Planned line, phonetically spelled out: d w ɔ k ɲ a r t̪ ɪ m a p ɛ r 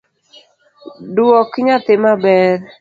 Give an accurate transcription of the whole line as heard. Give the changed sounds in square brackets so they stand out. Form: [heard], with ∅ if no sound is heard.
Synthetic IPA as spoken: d w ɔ k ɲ a [∅] t̪ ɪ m a [b] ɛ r

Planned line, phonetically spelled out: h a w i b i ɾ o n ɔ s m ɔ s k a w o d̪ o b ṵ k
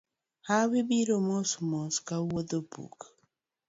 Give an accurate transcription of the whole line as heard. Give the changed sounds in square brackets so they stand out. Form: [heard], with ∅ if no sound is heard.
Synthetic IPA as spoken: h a w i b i ɾ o [m] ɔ s m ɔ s k a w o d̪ o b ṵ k

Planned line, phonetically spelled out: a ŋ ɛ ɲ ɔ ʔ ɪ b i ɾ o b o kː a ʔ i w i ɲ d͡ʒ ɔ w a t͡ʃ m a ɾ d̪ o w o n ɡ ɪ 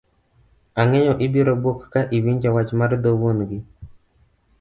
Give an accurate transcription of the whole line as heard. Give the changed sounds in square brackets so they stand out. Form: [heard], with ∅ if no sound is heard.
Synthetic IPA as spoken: a ŋ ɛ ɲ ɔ ʔ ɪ b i ɾ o b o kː a ʔ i w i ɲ d͡ʒ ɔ w a t͡ʃ m a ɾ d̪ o w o n ɡ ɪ

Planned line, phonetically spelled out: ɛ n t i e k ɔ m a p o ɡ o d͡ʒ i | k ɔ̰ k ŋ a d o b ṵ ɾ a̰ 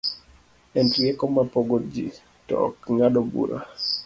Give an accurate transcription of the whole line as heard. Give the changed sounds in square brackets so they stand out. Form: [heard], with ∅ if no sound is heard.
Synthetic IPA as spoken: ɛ n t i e k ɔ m a p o ɡ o d͡ʒ i | [t] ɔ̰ k ŋ a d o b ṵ ɾ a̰

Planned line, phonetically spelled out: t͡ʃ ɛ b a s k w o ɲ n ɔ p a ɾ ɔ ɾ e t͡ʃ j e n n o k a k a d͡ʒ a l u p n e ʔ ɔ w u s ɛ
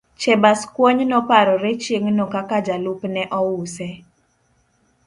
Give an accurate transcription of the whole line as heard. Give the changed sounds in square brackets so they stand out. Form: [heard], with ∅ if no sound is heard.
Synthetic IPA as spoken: t͡ʃ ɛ b a s k w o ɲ n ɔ p a ɾ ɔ ɾ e t͡ʃ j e [ŋ] n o k a k a d͡ʒ a l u p n [ɛ] ʔ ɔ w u s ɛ

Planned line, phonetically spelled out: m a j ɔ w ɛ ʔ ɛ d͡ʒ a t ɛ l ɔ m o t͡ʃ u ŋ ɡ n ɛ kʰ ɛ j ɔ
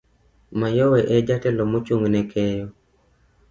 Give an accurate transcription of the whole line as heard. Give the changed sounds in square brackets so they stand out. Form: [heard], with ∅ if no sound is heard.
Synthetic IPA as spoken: m a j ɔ w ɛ ʔ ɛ d͡ʒ a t ɛ l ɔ m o t͡ʃ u ŋ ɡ n ɛ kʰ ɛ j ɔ

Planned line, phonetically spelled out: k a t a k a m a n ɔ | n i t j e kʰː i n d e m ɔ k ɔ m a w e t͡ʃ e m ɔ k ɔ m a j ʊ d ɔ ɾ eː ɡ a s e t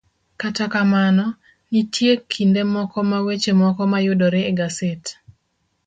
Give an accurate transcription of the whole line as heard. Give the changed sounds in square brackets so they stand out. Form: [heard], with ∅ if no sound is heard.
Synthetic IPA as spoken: k a t a k a m a n ɔ | n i t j e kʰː i n d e m ɔ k ɔ m a w e t͡ʃ e m ɔ k ɔ m a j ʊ d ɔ ɾ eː ɡ a s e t

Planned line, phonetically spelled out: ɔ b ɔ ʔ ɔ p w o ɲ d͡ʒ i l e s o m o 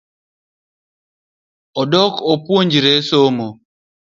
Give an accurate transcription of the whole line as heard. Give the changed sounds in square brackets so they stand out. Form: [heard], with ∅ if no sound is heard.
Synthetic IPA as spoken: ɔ [d] ɔ [k] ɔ p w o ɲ d͡ʒ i [ɾ] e s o m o

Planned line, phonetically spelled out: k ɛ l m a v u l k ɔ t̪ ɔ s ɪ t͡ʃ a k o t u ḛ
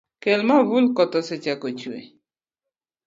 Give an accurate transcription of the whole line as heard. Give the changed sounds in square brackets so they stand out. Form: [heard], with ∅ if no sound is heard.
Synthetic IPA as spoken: k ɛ l m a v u l k ɔ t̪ ɔ s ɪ t͡ʃ a k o [t͡ʃ] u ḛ

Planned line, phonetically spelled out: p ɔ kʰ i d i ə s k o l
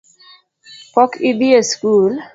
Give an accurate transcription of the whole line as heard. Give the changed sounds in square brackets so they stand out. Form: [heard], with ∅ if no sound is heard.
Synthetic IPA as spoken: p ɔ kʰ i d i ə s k [u] l

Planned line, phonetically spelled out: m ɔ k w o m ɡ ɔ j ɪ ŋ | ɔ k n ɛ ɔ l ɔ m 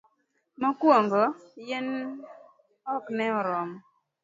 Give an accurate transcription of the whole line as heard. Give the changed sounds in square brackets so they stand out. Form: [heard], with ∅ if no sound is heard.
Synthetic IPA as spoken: m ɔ k w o [ŋ] ɡ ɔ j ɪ [n] | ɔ k n ɛ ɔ [ɾ] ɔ m

